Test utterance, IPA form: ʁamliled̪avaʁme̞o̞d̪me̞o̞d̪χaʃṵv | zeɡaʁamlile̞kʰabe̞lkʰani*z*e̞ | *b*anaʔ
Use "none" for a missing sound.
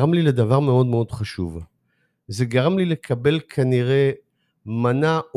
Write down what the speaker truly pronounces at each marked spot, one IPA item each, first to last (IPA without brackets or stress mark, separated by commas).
ʁ, m